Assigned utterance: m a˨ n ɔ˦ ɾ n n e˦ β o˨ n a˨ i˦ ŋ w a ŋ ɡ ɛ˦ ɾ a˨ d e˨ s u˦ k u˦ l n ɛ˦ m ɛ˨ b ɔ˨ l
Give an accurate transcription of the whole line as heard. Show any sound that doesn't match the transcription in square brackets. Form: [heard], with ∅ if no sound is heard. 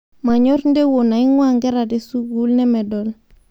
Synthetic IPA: m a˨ [ɲ] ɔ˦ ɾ n [d] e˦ [w] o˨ n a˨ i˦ ŋ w a ŋ ɡ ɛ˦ ɾ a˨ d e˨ s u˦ [ɡ] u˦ l n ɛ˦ m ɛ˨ [d] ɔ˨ l